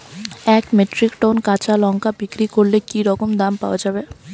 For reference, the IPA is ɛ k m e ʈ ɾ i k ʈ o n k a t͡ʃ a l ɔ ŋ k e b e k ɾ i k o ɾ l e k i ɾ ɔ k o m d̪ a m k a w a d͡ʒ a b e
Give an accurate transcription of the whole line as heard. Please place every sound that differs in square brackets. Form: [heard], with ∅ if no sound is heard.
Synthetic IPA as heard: ɛ k m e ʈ ɾ i k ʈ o n k a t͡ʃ a l ɔ ŋ k [a] b [i] k ɾ i k o ɾ l e k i ɾ ɔ k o m d̪ a m [p] a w a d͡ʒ a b e